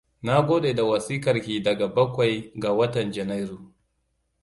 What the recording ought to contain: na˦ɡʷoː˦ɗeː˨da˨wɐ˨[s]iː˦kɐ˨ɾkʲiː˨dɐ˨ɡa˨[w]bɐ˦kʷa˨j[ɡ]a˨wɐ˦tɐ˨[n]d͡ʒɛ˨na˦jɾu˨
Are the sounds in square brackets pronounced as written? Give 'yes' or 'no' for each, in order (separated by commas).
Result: yes, no, yes, yes